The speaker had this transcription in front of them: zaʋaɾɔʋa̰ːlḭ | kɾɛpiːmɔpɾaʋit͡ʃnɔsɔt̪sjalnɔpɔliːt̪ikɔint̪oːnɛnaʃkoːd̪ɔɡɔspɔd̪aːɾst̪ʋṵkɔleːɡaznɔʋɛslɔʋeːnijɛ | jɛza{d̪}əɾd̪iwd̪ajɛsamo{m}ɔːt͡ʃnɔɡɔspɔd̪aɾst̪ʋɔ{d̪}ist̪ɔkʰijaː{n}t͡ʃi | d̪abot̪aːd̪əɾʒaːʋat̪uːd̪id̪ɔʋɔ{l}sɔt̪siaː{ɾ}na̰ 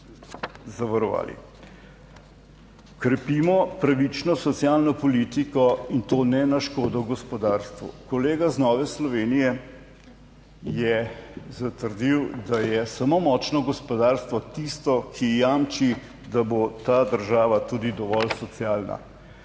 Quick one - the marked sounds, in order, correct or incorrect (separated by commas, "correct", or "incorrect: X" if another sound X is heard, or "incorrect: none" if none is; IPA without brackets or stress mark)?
incorrect: t̪, correct, incorrect: t̪, incorrect: m, correct, incorrect: l